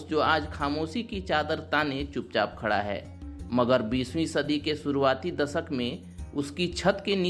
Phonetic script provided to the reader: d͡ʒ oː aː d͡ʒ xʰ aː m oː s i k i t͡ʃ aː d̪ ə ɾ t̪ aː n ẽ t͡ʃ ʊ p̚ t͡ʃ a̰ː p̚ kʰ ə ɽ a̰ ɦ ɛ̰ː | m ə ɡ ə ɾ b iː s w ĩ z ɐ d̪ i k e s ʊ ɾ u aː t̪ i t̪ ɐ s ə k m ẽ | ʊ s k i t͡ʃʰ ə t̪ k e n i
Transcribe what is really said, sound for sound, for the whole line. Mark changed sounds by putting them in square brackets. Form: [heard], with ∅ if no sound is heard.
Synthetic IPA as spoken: d͡ʒ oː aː d͡ʒ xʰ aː m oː s i k i t͡ʃ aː d̪ ə ɾ t̪ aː n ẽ t͡ʃ ʊ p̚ t͡ʃ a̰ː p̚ kʰ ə ɽ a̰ ɦ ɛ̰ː | m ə ɡ ə ɾ b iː s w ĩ [s] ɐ d̪ i k e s ʊ ɾ u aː t̪ i [d̪] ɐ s ə k m ẽ | ʊ s k i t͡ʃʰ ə t̪ k e n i